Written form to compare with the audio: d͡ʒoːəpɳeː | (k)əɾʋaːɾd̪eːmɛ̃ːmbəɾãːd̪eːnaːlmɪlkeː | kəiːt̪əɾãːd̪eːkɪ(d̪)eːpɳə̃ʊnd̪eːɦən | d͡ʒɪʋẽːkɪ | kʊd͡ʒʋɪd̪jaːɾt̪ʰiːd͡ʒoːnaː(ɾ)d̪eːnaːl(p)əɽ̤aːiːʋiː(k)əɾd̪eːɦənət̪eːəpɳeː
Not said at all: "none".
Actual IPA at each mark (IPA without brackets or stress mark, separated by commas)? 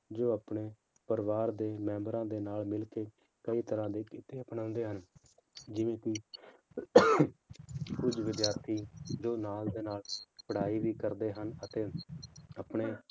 p, t̪, l, p, k